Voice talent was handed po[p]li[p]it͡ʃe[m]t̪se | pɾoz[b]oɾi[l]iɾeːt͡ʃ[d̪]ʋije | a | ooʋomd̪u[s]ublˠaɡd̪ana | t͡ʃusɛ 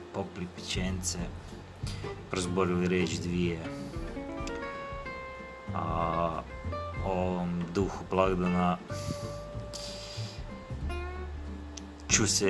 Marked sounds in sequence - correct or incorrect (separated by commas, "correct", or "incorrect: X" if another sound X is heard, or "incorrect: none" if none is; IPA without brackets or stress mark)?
correct, correct, incorrect: n, correct, correct, correct, incorrect: x